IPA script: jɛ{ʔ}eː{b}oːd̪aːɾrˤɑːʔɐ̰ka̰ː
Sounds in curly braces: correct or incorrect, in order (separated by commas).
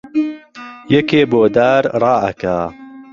incorrect, correct